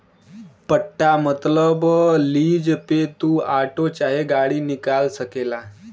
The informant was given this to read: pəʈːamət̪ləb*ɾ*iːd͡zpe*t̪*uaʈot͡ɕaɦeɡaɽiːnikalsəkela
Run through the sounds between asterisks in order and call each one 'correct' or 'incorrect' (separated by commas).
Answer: incorrect, correct